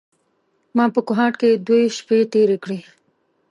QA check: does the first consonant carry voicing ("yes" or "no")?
yes